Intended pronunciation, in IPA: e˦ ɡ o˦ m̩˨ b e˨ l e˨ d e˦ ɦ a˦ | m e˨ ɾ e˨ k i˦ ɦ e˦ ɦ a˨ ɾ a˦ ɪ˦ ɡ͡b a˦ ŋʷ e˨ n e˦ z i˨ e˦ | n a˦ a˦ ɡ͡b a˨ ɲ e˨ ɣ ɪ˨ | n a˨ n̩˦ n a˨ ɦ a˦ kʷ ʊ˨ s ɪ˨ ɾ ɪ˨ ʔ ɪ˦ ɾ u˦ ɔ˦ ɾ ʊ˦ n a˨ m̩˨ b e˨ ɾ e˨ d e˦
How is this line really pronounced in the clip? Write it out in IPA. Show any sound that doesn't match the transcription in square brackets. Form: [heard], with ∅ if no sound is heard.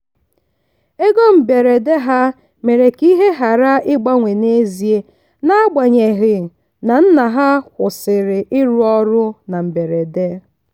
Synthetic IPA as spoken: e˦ ɡ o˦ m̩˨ b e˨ [ɾ] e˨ d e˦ ɦ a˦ | m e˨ ɾ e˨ k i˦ ɦ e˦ ɦ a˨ ɾ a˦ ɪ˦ ɡ͡b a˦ ŋʷ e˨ n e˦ z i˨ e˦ | n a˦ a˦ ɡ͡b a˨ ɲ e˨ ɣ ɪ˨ | n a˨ n̩˦ n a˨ ɦ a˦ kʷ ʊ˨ s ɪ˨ ɾ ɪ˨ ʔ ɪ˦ ɾ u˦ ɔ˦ ɾ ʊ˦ n a˨ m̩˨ b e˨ ɾ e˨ d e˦